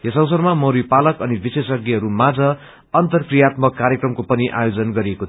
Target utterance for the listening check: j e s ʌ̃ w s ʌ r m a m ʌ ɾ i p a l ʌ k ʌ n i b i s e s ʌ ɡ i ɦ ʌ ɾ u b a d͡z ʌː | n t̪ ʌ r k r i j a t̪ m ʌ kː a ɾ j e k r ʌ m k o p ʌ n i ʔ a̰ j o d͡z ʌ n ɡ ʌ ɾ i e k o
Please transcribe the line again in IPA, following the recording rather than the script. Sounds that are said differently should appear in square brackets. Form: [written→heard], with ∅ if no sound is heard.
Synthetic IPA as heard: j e s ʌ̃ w s ʌ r m a m ʌ ɾ i p a l ʌ k ʌ n i b i s e s ʌ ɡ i ɦ ʌ ɾ u [b→m] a d͡z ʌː | n t̪ ʌ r k r i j a t̪ m ʌ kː a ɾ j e k r ʌ m k o p ʌ n i ʔ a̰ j o d͡z ʌ n ɡ ʌ ɾ i e k o